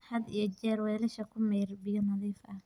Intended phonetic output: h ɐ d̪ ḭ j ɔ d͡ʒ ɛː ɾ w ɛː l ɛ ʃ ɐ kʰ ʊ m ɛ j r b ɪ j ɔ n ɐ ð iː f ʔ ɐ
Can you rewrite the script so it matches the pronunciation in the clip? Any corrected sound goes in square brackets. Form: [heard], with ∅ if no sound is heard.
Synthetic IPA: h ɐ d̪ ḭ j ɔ d͡ʒ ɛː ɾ w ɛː l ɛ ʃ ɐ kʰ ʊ m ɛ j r b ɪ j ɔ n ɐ ð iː f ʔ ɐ